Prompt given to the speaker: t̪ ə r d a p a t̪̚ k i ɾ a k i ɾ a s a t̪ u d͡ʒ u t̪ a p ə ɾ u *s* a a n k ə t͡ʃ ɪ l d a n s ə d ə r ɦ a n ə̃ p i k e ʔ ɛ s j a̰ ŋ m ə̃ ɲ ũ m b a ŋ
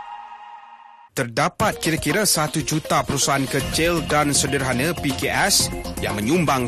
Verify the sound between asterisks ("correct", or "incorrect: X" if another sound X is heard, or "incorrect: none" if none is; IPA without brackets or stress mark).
correct